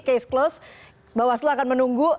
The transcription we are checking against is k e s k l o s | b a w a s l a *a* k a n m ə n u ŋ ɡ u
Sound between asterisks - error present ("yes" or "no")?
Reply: no